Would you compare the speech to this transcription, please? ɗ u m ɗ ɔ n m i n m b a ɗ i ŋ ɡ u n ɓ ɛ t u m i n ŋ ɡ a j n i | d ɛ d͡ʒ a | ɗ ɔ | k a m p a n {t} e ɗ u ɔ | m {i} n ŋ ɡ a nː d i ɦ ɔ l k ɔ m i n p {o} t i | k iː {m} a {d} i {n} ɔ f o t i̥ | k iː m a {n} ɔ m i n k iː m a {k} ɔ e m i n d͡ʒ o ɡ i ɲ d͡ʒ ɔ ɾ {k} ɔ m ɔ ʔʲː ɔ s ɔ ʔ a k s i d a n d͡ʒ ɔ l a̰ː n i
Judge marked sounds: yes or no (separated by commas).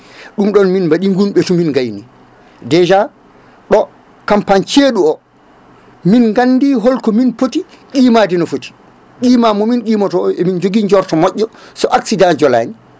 no, yes, yes, yes, yes, yes, no, no, no